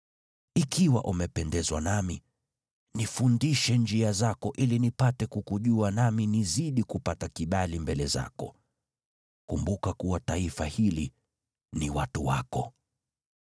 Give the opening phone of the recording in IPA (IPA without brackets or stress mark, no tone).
i